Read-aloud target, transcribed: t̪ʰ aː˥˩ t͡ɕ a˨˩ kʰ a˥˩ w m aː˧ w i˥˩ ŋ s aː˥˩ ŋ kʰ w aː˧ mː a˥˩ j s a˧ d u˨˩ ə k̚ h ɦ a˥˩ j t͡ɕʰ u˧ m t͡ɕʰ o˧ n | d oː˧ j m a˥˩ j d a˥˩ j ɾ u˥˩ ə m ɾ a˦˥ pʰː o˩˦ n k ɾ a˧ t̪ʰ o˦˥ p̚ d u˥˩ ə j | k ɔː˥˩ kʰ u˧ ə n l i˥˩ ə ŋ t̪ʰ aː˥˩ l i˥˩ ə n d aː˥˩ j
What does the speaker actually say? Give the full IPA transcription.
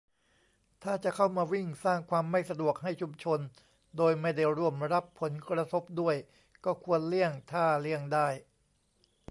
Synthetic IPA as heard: t̪ʰ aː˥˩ t͡ɕ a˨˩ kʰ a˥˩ w m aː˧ w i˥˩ ŋ s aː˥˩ ŋ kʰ w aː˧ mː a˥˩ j s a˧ d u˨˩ ə k̚ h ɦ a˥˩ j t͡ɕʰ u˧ m t͡ɕʰ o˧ n | d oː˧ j m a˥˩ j d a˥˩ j ɾ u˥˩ ə m ɾ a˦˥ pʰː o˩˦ n k ɾ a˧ t̪ʰ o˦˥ p̚ d u˥˩ ə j | k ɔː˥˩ kʰ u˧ ə n l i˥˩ ə ŋ t̪ʰ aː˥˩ l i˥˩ ə ŋ d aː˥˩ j